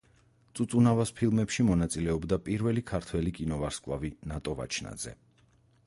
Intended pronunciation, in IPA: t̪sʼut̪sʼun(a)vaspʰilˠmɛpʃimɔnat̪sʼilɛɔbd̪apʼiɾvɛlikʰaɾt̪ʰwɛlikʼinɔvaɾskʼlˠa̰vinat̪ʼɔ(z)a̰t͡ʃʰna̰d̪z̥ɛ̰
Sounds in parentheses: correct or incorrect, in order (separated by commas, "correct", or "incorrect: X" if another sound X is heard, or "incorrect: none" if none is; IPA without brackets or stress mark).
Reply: correct, incorrect: v